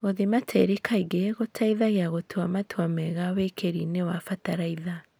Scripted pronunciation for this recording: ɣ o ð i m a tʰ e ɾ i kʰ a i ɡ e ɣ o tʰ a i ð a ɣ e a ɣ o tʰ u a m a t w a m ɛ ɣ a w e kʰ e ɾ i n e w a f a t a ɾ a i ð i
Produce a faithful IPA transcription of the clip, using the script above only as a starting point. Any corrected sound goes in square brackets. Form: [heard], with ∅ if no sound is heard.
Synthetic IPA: ɣ o ð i m a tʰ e ɾ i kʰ a i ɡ e ɣ o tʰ a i ð a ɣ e a ɣ o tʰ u a m a t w a m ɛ ɣ a w e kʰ e ɾ i n e w a f a t a ɾ a i ð [a]